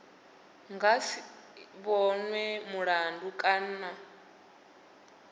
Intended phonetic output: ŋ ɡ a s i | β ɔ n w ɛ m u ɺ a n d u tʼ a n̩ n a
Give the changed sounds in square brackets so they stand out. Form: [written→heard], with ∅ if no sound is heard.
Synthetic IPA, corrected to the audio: ŋ ɡ a s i | β ɔ n w ɛ m u ɺ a n d u [tʼ→kʼ] a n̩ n a